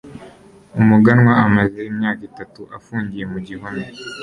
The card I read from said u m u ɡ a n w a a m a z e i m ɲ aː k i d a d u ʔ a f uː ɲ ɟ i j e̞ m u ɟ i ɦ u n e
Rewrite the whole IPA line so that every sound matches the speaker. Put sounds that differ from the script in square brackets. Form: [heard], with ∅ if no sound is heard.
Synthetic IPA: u m u ɡ a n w a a m a z e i m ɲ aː k i [t] a [t] u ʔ a f uː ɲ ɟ i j e̞ m u ɟ i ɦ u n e